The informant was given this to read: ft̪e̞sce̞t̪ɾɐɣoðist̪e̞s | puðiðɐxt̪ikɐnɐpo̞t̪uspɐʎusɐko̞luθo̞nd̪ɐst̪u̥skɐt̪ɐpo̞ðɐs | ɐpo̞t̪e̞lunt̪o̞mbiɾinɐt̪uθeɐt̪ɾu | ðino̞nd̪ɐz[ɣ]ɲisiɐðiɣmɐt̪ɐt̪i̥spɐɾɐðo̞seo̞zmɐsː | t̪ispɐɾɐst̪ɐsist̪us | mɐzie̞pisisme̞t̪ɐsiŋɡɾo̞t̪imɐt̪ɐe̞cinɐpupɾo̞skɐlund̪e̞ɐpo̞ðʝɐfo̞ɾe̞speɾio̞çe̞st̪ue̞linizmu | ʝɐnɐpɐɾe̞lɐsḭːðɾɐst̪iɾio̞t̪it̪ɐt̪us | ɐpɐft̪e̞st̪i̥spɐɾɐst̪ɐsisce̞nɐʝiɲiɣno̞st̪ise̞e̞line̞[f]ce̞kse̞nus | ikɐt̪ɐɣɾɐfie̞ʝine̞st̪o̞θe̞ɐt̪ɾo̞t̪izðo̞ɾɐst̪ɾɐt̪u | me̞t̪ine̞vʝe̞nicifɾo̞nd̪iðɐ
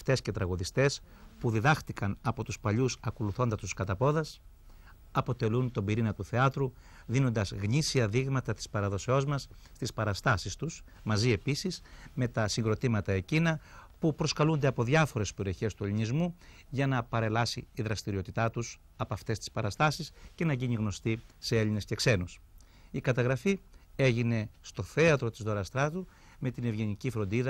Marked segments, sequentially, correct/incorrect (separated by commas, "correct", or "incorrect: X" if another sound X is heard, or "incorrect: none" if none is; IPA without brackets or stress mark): correct, incorrect: s